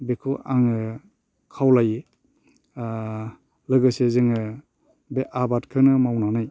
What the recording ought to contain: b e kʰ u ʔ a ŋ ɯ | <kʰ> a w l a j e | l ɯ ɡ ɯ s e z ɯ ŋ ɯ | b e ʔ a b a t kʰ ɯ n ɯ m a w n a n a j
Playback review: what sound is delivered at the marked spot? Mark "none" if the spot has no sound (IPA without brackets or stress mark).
kʰ